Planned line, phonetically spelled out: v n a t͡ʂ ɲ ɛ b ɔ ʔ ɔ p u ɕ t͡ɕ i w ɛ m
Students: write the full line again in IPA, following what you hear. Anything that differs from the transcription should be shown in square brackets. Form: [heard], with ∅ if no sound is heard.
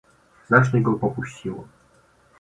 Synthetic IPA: [z] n a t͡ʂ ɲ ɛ [ɡ] ɔ [p] ɔ p u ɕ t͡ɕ i w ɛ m